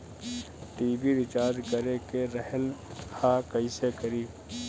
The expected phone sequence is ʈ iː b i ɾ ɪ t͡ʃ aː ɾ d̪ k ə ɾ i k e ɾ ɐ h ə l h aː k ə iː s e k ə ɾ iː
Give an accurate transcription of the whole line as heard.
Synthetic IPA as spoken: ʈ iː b i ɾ ɪ t͡ʃ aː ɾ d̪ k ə ɾ e k e ɾ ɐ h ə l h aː k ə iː s e k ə ɾ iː